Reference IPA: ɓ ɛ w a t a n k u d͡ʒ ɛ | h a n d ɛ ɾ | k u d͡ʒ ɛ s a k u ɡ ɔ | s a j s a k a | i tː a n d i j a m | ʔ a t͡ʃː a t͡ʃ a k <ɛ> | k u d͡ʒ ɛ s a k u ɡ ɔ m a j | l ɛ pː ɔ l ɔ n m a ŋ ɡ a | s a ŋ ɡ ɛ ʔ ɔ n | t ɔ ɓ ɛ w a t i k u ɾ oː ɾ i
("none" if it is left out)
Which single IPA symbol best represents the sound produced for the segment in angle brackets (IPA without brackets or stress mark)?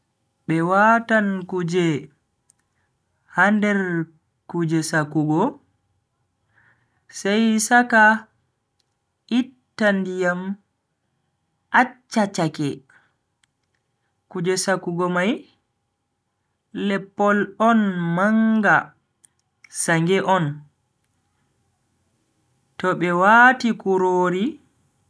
ɛ